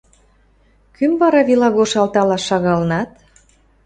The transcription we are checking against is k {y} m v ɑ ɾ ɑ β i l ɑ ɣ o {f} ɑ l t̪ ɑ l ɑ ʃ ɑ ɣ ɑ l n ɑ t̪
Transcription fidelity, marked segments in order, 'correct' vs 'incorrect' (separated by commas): correct, incorrect